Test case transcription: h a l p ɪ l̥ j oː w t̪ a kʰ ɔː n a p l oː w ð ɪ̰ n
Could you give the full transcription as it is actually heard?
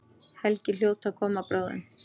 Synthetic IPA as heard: h ɛ l c ɪ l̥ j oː w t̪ a kʰ ɔː m a p ɾ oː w ð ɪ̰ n